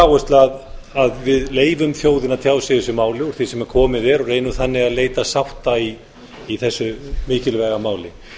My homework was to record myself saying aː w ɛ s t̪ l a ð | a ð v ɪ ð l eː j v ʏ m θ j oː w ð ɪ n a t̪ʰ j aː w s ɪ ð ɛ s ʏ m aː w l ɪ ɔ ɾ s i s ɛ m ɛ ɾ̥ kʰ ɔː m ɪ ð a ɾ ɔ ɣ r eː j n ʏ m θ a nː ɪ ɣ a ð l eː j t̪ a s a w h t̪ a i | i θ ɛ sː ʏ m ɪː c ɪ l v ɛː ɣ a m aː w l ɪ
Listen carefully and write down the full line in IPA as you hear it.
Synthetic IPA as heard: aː w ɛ s t̪ l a ð | a ð v ɪ ð l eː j v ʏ m θ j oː w ð ɪ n a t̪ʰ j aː w s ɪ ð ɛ s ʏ m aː w l ɪ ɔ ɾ θ i s ɛ m ɛ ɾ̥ kʰ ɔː m ɪ ð ɛ ɾ ɔ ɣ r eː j n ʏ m θ a nː ɪ ɣ a ð l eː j t̪ a s a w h t̪ a i | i θ ɛ sː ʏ m ɪː c ɪ l v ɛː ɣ a m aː w l ɪ